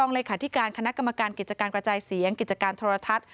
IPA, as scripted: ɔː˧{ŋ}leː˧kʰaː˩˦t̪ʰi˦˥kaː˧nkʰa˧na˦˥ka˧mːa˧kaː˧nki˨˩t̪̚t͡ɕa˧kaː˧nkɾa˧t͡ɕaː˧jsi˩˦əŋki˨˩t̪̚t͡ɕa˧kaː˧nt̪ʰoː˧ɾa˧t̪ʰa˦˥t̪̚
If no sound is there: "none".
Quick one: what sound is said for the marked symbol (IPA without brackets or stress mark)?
ŋ